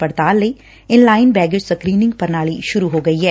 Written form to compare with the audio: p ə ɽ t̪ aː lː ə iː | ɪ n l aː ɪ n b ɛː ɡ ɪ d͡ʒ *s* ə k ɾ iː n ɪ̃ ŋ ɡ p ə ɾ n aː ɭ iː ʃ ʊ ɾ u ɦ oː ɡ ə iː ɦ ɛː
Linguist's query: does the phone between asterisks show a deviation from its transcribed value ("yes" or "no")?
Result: no